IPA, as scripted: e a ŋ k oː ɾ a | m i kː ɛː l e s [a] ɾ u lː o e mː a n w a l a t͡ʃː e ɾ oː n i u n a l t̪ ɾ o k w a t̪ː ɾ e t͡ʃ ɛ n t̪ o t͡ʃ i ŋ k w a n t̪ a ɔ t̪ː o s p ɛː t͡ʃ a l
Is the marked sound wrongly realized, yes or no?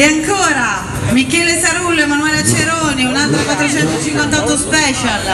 no